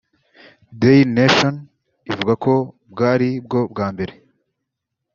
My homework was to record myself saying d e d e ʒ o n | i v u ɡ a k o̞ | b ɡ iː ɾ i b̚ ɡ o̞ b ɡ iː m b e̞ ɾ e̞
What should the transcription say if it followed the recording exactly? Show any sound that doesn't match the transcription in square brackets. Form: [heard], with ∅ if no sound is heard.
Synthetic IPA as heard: d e [n] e [ʃ] o n | i v u ɡ a k o̞ | b ɡ [aː] ɾ i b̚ ɡ o̞ b ɡ [aː] m b e̞ ɾ e̞